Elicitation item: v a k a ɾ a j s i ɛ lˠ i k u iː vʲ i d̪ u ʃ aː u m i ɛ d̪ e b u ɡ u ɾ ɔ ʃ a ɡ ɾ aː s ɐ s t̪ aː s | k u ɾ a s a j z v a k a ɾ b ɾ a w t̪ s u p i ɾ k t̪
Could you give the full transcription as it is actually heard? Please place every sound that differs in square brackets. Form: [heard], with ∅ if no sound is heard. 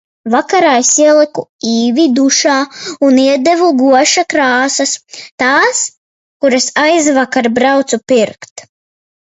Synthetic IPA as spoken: v a k a ɾ a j s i ɛ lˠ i k u iː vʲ i d̪ u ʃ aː u [n] i ɛ d̪ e [v] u ɡ u [∅] ɔ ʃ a [k] ɾ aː s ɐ s t̪ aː s | k u ɾ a s a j z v a k a ɾ b ɾ a w t̪ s u p i ɾ k t̪